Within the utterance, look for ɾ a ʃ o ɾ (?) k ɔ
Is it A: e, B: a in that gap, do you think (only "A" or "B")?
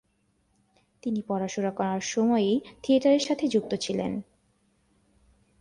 B